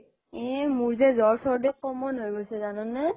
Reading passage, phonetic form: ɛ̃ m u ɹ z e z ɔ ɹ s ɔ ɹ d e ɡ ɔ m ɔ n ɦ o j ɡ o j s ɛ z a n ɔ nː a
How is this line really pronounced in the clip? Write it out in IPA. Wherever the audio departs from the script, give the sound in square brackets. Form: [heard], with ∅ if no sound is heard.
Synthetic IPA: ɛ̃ m u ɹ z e z ɔ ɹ s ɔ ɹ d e [k] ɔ m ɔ n ɦ o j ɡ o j s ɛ z a n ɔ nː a